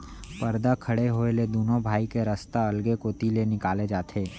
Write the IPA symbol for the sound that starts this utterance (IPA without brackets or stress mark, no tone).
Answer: p